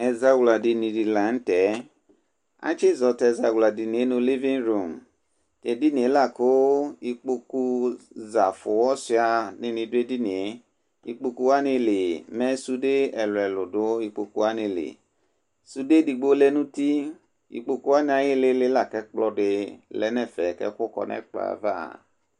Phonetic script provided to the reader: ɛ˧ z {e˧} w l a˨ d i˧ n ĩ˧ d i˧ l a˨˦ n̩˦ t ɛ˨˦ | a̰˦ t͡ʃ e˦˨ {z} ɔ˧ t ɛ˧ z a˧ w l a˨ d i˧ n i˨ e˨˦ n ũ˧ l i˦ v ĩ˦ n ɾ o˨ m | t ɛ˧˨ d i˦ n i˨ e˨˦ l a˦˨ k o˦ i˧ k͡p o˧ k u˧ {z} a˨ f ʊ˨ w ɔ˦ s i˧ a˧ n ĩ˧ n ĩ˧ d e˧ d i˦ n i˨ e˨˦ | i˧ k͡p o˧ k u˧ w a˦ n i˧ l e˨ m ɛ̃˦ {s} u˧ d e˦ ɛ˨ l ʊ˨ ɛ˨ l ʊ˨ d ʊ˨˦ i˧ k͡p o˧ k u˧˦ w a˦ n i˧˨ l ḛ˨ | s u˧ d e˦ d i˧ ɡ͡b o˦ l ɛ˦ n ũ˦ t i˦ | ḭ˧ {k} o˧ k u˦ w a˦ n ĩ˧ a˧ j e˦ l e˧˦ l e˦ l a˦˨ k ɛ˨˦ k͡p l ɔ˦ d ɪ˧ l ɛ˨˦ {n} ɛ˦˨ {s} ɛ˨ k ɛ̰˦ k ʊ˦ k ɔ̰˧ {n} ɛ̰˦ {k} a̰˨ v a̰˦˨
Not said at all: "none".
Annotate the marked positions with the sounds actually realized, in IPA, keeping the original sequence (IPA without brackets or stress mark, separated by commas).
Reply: a˧, z, z, s, k͡p, n, f, n, k͡p